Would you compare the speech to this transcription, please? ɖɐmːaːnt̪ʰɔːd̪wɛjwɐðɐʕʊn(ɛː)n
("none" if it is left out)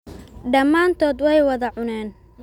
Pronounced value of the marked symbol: ɛː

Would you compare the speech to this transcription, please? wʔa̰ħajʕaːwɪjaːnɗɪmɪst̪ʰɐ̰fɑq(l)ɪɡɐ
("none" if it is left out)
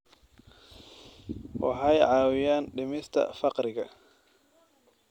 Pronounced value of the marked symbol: ɾ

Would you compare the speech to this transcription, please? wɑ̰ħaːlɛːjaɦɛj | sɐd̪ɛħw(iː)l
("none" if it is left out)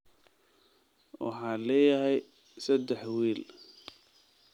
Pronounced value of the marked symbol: iː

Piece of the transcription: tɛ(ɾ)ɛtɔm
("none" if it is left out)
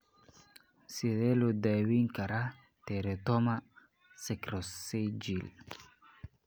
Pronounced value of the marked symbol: ɾ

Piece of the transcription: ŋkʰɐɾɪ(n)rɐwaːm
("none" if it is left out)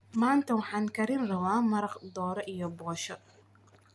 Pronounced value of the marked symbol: n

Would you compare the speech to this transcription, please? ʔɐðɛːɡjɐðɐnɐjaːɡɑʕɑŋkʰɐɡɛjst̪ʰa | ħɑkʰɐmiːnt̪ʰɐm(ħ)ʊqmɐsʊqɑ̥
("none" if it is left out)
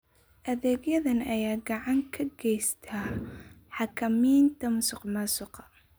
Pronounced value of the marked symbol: s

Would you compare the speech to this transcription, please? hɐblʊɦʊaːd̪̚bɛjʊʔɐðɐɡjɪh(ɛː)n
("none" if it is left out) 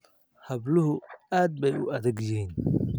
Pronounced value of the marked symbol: iː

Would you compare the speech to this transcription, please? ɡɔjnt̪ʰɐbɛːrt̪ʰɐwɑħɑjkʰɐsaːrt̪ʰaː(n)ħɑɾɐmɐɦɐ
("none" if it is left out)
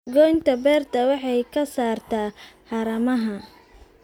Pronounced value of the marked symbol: none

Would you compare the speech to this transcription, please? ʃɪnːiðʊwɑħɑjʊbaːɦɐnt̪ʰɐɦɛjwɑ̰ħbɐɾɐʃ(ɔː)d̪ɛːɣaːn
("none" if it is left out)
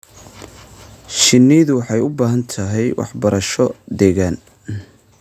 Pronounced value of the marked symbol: ɔ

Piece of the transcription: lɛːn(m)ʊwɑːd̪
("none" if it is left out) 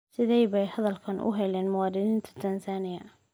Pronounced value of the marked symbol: m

